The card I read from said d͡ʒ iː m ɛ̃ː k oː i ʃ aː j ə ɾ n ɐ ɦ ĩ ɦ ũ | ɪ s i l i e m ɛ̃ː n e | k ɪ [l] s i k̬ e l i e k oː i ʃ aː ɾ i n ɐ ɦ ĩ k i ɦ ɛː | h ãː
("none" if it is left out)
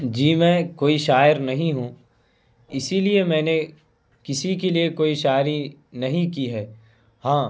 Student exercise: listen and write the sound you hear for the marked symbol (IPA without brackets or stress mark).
none